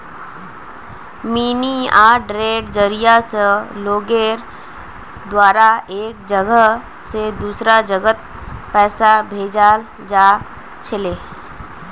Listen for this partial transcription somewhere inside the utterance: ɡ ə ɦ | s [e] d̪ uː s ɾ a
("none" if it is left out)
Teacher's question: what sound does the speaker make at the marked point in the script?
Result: e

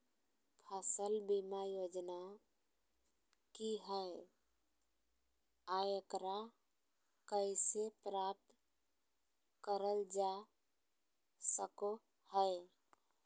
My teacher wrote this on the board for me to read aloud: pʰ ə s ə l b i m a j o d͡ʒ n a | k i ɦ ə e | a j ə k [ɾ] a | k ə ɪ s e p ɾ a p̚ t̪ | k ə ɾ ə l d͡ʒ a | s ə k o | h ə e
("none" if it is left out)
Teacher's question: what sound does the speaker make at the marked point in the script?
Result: ɾ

